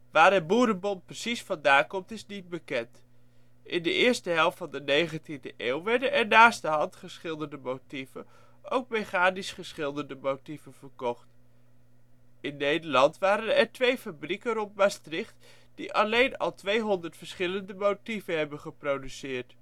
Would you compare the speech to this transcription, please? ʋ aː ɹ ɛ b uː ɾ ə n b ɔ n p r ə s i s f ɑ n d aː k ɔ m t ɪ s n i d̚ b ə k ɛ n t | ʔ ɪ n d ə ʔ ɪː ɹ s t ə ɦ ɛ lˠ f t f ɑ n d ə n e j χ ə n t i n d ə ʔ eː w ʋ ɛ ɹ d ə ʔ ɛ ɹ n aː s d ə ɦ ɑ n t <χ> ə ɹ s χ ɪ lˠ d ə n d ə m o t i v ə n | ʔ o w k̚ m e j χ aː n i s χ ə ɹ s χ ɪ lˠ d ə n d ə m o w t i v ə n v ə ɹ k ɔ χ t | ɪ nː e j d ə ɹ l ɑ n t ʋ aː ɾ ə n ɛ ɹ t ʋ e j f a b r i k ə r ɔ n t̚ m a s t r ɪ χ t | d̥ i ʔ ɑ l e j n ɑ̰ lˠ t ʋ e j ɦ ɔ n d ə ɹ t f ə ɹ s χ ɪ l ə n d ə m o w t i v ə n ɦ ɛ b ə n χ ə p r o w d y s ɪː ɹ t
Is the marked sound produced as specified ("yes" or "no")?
yes